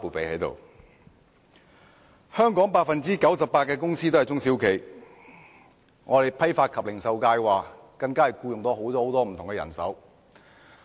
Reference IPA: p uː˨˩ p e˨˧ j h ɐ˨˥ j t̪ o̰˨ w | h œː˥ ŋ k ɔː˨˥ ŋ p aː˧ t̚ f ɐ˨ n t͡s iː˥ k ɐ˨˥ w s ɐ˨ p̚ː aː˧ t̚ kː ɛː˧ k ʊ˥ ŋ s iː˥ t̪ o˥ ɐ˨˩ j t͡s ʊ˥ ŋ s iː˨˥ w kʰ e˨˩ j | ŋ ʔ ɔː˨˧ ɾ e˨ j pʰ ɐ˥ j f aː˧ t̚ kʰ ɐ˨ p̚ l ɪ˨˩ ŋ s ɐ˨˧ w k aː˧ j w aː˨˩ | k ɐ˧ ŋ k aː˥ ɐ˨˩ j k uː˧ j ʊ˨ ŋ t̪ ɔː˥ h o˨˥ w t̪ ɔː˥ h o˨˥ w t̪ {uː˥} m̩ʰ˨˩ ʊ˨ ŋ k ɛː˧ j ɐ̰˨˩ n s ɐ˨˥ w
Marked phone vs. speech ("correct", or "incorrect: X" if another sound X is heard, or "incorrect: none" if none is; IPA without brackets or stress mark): incorrect: ɔː˥